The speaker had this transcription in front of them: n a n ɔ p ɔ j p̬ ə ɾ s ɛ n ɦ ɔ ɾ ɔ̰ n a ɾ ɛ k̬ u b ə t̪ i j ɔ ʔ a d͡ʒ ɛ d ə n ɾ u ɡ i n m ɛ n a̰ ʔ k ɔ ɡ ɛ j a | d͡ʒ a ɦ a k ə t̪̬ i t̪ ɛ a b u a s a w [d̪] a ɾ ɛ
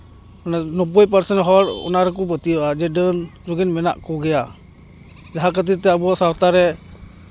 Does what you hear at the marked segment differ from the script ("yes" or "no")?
yes